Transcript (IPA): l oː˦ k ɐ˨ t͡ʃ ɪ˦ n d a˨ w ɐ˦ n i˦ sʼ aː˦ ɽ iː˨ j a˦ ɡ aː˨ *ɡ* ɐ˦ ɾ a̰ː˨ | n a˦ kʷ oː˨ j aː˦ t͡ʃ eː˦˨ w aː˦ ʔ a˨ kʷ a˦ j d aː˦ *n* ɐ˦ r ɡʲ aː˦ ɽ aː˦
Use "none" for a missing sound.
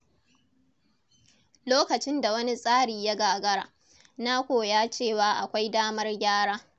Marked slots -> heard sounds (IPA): ɡ, m

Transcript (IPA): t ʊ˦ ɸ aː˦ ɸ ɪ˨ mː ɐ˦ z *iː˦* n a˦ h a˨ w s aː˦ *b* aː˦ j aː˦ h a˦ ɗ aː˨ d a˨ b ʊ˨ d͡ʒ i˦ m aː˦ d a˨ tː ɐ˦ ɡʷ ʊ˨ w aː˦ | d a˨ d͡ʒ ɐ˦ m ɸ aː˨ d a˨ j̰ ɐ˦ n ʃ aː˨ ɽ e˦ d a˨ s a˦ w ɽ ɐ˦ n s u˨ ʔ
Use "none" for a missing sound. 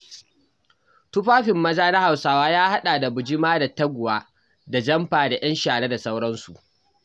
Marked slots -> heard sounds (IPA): aː˦, w

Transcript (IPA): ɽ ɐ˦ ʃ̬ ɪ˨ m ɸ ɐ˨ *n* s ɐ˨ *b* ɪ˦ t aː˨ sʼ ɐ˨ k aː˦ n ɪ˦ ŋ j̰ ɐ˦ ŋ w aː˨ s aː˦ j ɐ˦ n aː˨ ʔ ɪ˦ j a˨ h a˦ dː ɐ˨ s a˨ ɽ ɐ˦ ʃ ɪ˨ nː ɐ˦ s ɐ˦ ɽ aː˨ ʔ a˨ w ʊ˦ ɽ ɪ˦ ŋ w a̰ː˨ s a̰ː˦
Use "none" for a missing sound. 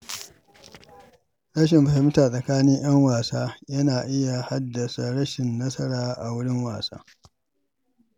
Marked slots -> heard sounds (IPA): none, m

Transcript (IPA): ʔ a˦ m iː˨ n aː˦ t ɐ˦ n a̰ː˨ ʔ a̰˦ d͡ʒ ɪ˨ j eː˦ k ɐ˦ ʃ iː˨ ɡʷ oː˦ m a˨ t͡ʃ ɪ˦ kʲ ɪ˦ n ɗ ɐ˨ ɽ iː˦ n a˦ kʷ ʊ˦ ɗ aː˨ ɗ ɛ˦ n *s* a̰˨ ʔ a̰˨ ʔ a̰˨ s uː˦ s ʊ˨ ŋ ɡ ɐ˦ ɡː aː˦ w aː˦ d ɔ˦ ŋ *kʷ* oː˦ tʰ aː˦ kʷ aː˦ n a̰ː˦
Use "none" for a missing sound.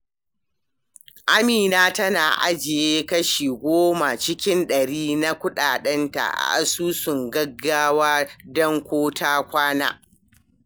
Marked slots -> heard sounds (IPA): t, kʷ

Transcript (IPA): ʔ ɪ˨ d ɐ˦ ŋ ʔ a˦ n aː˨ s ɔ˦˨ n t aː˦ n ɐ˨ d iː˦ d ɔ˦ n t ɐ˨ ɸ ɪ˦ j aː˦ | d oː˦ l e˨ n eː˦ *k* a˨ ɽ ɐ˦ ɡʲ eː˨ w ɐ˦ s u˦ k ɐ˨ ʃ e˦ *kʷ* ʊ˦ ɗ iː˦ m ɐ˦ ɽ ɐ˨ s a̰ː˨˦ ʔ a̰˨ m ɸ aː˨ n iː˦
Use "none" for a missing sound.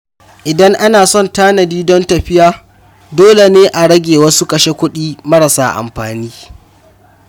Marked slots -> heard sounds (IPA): ʔ, kʷ

